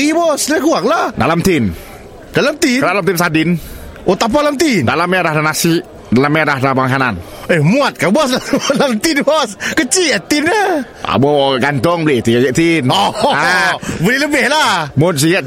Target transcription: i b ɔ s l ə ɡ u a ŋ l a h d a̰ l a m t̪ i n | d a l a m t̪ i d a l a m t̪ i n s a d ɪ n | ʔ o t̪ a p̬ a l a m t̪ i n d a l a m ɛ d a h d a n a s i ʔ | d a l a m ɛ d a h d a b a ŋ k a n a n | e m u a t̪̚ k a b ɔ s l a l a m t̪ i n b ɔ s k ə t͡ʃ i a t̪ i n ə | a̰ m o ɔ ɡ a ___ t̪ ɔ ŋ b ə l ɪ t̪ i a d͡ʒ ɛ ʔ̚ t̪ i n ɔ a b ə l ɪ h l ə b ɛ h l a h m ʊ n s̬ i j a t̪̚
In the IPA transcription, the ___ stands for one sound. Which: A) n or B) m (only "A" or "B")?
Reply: A